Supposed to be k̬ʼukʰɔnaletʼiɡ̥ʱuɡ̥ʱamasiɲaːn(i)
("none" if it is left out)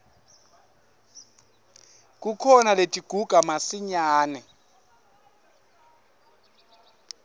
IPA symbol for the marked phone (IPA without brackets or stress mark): ɛ